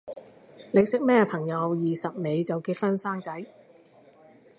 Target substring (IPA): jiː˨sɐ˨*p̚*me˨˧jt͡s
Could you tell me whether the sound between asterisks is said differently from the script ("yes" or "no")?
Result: no